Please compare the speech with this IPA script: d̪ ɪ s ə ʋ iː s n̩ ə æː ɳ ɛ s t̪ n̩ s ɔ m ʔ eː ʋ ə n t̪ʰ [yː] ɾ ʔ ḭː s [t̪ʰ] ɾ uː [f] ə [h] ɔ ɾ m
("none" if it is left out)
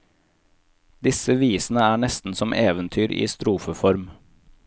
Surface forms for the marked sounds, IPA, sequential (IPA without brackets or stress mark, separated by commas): yː, t̪, f, f